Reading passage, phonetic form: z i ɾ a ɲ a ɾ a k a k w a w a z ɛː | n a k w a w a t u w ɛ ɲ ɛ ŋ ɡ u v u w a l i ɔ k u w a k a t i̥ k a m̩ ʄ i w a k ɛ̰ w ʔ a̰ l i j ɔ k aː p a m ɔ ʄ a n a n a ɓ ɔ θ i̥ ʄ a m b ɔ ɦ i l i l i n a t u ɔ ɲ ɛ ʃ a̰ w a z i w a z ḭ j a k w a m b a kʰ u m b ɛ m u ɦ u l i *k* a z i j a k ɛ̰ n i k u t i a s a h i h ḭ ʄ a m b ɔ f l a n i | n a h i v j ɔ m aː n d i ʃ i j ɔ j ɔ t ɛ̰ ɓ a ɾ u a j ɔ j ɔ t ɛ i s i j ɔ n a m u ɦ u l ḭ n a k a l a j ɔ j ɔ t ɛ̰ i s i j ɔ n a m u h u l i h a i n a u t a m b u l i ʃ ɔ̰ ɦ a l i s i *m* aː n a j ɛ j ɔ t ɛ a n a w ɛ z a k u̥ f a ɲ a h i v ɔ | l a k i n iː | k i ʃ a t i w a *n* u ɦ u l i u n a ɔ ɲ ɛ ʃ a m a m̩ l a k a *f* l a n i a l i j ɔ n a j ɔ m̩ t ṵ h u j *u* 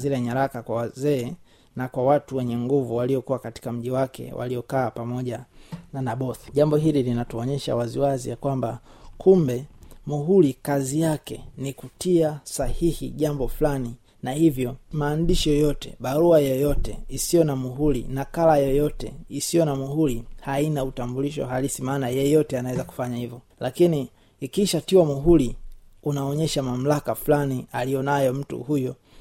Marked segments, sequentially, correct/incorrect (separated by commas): correct, correct, incorrect, correct, incorrect